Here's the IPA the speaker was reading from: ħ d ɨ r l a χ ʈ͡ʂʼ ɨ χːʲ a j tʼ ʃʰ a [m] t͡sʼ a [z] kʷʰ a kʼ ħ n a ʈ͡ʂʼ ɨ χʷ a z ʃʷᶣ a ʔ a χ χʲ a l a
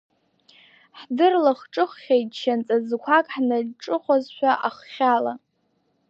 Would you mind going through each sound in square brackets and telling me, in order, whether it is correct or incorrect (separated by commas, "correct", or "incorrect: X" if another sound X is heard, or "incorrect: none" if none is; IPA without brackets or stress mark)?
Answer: incorrect: n, correct